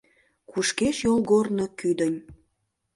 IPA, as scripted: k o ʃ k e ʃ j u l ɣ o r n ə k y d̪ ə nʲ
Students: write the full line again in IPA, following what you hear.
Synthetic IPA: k u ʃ k e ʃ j o l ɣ o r n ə k y d̪ ə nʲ